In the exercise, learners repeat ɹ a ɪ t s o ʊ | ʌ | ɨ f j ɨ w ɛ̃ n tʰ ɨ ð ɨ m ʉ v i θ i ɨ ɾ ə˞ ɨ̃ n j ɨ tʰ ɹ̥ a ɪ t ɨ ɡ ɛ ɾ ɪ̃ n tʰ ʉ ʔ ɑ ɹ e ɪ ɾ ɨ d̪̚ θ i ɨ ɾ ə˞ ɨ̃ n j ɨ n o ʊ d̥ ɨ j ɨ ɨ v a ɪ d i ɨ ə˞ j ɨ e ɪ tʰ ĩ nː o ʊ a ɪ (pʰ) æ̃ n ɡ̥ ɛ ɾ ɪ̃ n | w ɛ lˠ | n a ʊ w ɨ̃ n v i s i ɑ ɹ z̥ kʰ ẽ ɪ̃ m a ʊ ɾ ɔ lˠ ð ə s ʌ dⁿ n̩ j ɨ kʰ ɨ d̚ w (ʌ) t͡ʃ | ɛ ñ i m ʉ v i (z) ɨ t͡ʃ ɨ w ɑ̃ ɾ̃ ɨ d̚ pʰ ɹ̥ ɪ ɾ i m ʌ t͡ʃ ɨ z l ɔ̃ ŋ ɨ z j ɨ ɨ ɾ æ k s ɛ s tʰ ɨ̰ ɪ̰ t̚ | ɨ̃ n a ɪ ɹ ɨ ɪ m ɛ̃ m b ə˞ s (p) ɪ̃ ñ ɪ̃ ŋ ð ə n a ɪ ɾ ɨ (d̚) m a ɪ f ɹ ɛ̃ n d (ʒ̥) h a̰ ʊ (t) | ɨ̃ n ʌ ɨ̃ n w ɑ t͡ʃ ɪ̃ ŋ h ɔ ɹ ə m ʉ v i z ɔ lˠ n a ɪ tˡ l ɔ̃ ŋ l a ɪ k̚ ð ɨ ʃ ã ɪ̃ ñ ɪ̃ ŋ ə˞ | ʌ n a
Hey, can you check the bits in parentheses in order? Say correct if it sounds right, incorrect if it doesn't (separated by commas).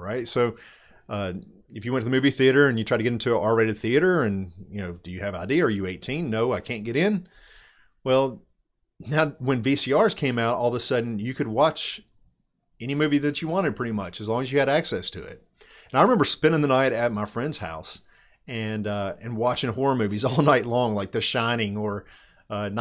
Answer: incorrect, incorrect, incorrect, correct, incorrect, incorrect, incorrect